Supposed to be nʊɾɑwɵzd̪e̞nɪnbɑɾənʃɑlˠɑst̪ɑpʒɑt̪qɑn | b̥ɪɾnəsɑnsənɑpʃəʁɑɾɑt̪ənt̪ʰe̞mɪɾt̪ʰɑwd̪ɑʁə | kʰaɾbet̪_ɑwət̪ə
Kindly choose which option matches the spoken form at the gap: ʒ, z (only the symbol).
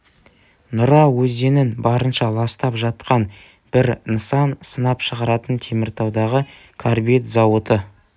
z